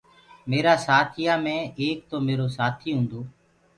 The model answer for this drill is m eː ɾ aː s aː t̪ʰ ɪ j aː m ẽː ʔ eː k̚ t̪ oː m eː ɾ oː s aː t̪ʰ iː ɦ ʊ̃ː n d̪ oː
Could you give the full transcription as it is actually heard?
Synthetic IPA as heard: m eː ɾ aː s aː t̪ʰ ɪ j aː m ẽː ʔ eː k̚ t̪ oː m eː ɾ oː s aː t̪ʰ iː ɦ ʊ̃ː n d̪ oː